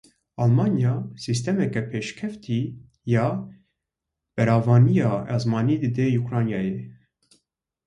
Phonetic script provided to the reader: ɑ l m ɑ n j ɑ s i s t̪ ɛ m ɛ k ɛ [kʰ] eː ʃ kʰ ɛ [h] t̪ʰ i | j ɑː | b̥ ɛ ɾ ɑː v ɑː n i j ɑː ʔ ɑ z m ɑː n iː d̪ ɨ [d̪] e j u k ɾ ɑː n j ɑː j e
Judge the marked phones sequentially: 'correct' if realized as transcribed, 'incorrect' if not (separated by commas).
incorrect, incorrect, correct